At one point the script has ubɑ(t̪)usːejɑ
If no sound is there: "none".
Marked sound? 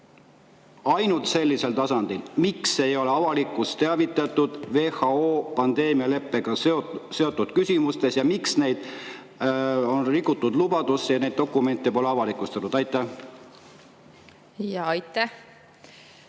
d̪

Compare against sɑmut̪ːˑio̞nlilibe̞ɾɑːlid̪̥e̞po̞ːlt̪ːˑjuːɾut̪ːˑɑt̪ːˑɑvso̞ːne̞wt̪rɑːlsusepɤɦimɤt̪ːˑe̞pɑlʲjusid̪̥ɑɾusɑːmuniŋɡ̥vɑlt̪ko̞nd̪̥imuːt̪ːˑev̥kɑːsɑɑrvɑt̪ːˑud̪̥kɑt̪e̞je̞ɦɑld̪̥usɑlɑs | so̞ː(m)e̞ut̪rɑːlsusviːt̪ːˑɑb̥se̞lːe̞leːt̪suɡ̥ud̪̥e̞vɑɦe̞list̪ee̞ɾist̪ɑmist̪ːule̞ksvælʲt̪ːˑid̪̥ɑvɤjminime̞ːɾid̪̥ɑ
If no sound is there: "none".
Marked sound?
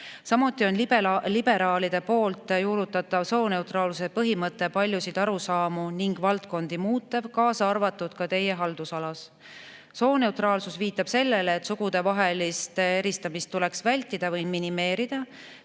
n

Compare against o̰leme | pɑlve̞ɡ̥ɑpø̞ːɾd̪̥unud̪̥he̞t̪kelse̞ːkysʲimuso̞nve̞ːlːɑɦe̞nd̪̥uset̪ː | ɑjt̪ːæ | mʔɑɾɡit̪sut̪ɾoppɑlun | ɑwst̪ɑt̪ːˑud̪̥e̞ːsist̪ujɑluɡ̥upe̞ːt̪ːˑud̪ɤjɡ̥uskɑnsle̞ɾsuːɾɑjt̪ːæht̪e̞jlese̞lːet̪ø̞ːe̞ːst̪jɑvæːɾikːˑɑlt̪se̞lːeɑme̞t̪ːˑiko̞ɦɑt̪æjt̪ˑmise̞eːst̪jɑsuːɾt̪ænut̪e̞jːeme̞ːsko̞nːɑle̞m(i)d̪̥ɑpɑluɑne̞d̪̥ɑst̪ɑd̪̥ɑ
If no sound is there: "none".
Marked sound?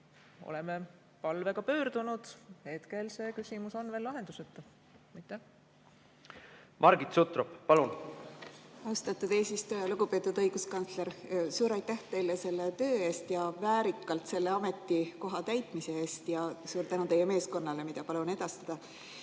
i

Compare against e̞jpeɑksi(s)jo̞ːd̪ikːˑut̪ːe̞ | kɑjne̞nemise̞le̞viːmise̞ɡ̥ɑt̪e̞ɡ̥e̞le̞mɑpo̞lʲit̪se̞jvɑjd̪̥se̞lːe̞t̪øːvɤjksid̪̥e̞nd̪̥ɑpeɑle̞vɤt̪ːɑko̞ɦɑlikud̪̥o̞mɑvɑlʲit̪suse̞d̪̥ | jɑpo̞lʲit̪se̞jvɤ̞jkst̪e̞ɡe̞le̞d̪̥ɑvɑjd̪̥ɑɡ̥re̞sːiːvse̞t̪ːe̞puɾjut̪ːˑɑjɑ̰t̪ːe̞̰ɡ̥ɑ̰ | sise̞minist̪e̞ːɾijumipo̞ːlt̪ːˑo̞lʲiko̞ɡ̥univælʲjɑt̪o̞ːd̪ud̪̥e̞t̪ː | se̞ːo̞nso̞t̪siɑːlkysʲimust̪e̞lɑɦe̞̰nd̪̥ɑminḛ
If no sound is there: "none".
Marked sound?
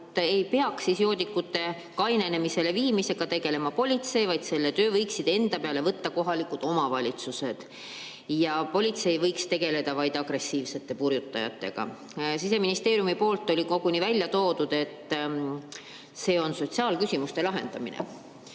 s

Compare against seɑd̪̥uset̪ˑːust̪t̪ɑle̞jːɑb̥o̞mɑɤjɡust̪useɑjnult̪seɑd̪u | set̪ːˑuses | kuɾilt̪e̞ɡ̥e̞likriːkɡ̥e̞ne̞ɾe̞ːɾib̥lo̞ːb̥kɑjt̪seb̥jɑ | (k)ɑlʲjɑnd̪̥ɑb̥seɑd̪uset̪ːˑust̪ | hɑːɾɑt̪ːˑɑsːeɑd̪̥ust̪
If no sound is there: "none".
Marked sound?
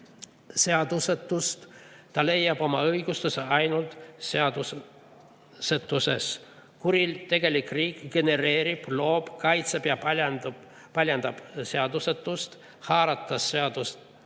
p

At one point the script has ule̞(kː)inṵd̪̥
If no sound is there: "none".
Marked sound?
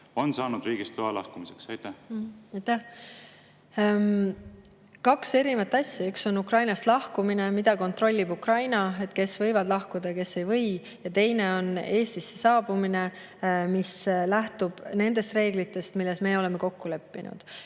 pː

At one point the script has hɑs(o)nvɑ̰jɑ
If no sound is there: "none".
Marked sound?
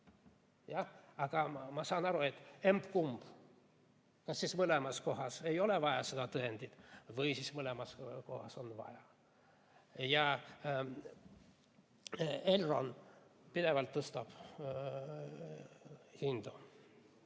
o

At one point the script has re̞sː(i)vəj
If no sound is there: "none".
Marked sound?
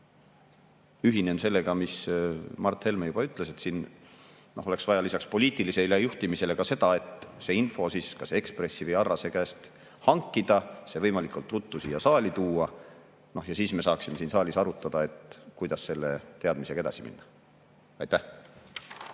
i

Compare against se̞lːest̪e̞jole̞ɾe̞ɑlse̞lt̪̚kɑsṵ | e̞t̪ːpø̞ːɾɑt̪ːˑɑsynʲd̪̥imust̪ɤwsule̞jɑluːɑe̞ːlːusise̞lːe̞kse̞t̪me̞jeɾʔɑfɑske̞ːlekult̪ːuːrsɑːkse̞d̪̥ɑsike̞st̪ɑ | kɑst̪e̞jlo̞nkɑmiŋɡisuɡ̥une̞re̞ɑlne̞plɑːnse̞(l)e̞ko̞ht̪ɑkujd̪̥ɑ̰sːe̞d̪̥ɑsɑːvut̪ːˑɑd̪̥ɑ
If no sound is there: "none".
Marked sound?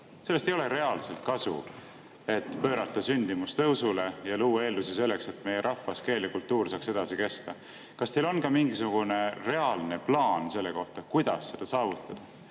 lː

